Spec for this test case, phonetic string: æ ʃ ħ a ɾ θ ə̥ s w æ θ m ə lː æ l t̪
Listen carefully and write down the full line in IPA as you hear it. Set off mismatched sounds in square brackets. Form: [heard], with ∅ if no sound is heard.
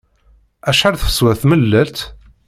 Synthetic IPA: æ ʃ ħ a ɾ θ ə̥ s w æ θ m ə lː æ l t̪